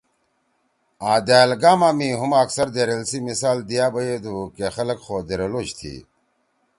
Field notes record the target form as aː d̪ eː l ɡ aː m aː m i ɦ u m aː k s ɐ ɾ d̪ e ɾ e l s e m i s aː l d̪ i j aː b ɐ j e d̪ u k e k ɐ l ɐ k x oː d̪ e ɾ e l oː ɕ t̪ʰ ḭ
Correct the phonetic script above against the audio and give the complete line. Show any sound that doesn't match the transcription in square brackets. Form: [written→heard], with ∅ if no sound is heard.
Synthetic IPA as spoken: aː d̪ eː l ɡ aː m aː m i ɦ u m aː k s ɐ ɾ d̪ e ɾ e l s [e→i] m i s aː l d̪ i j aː b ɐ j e d̪ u k e [k→x] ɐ l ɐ k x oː d̪ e ɾ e l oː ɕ t̪ʰ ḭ